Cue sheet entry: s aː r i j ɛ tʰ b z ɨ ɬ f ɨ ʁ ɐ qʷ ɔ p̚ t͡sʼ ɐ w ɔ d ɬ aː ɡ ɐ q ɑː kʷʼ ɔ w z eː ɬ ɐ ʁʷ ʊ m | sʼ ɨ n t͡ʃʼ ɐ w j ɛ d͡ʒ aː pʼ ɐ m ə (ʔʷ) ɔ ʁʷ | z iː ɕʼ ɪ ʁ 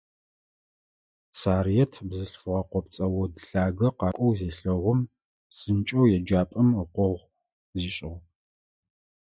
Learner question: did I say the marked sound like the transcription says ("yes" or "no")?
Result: no